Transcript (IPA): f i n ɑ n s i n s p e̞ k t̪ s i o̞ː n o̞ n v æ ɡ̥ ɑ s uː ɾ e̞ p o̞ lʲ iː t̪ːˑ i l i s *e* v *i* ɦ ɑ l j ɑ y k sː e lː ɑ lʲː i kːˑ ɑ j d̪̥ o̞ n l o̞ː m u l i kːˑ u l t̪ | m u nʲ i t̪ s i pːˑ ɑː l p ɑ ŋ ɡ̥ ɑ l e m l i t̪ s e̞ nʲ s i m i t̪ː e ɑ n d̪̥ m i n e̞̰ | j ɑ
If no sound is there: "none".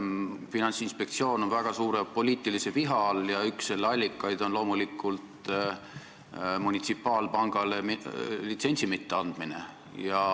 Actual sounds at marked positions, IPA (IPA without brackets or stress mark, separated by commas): e, i